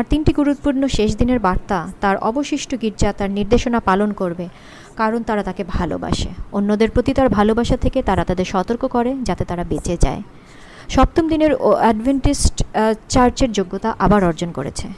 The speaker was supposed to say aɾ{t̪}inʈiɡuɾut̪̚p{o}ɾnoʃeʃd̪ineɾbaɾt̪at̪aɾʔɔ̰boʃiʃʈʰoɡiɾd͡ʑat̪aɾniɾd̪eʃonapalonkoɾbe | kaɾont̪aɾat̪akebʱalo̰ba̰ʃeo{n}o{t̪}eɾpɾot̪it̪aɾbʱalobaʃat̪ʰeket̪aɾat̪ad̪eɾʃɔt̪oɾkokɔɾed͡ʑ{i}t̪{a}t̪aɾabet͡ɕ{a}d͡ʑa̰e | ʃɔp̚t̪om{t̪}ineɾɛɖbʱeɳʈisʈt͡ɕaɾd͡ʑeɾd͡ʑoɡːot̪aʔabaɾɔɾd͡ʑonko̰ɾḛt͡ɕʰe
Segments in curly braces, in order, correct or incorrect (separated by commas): correct, incorrect, incorrect, incorrect, incorrect, incorrect, incorrect, incorrect